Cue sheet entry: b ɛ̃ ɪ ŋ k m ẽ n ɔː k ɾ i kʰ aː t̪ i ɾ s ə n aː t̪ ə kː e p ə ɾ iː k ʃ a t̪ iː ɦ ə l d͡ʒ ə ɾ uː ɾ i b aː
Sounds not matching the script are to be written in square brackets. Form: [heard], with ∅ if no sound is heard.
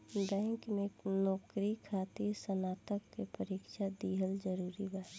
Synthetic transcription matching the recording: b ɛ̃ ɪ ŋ k m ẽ n ɔː k ɾ i kʰ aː t̪ i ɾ s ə n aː t̪ ə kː e p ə ɾ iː k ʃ a [d̪] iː ɦ ə l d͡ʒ ə ɾ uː ɾ i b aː

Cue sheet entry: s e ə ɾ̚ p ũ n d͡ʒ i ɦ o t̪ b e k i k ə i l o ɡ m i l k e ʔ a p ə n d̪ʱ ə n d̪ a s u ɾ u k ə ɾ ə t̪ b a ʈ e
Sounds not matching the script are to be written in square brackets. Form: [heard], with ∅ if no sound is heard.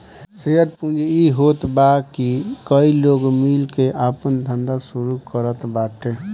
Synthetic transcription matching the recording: s e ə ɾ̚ p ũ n d͡ʒ i ɦ o t̪ b [a] k i k ə i l o ɡ m i l k e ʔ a p ə n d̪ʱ ə n d̪ a s u ɾ u k ə ɾ ə t̪ b a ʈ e

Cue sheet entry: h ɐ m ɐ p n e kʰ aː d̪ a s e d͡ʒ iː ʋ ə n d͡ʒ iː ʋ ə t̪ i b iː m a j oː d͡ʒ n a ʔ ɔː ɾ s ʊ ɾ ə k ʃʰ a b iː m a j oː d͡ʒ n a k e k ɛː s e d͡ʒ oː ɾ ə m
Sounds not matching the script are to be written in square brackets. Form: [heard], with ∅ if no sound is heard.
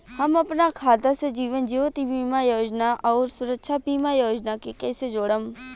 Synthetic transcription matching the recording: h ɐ m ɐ p n [a] kʰ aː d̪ a s e d͡ʒ iː ʋ ə n d͡ʒ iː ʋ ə t̪ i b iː m a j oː d͡ʒ n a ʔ ɔː ɾ s ʊ ɾ ə k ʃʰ a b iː m a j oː d͡ʒ n a k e k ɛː s e d͡ʒ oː [ɽ] ə m

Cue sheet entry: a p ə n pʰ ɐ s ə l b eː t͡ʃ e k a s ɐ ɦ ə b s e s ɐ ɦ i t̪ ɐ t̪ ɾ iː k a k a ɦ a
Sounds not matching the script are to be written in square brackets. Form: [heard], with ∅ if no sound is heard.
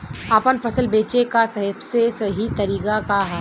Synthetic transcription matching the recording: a p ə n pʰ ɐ s ə l b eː t͡ʃ e k a s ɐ ɦ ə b s e s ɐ ɦ i t̪ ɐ [∅] ɾ iː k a k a ɦ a

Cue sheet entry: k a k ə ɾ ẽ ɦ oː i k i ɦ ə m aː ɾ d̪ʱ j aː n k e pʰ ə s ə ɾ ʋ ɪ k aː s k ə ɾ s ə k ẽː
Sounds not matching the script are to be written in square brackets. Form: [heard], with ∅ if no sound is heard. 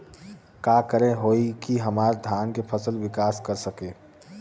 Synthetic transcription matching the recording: k a k ə ɾ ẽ ɦ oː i k i ɦ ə m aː ɾ d̪ʱ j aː n k e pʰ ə s ə [l] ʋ ɪ k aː s k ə ɾ s ə k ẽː

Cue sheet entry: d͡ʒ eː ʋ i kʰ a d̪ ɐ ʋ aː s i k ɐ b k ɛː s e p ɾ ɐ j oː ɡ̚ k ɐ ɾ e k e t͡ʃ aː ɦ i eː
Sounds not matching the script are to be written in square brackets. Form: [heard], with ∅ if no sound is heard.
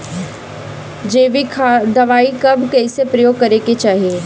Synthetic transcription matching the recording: d͡ʒ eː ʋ i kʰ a d̪ ɐ ʋ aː [∅] i k ɐ b k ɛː s e p ɾ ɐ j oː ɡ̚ k ɐ ɾ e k e t͡ʃ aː ɦ i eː

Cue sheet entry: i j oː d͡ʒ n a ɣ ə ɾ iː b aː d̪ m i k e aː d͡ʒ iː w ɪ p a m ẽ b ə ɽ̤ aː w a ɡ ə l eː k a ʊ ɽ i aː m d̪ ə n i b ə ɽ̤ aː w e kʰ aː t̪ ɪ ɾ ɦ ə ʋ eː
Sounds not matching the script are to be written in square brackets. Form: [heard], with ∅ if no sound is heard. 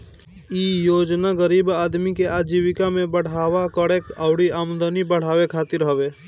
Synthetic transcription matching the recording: i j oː d͡ʒ n a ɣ ə ɾ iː b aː d̪ m i k e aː d͡ʒ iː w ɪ [k] a m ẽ b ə ɽ̤ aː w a [k] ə [ɽ] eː k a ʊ ɽ i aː m d̪ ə n i b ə ɽ̤ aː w e kʰ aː t̪ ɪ ɾ ɦ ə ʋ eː

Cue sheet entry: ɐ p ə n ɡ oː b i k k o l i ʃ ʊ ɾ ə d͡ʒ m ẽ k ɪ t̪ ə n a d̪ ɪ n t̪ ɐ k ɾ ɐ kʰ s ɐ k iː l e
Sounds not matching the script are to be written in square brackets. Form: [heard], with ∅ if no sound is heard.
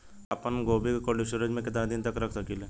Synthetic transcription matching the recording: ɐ p ə n ɡ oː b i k k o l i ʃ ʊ ɾ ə d͡ʒ m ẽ k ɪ t̪ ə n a d̪ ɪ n t̪ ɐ k ɾ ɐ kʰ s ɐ k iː l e

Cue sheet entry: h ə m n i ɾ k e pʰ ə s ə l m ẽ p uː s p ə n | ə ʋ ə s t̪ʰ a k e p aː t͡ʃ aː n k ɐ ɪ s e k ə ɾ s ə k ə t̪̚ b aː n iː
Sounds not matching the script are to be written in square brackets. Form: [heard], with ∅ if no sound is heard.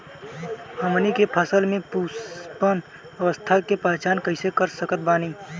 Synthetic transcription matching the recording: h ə m n i [∅] k e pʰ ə s ə l m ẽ p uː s p ə n | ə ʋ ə s t̪ʰ a k e p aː t͡ʃ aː n k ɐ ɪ s e k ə ɾ s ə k ə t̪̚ b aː n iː

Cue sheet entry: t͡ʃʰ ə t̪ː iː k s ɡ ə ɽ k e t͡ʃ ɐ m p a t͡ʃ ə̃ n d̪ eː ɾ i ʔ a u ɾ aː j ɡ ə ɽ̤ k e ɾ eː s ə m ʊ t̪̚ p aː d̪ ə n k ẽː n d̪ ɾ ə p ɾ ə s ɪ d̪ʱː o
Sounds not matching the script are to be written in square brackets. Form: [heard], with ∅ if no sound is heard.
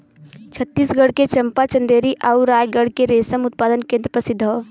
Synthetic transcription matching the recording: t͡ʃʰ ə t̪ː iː [∅] s ɡ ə ɽ k e t͡ʃ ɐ m p a t͡ʃ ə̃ n d̪ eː ɾ i ʔ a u ɾ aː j ɡ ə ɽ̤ k e ɾ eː s ə m ʊ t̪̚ p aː d̪ ə n k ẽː n d̪ ɾ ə p ɾ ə s ɪ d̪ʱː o

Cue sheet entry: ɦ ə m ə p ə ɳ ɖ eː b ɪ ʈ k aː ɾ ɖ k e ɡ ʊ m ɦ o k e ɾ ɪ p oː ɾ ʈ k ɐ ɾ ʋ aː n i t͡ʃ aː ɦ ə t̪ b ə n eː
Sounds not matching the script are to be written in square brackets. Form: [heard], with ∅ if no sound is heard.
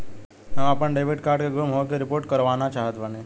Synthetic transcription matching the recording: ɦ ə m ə p ə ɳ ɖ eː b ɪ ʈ k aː ɾ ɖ k e ɡ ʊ m ɦ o k e ɾ ɪ p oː ɾ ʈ k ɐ ɾ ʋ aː n [a] t͡ʃ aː ɦ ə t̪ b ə n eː

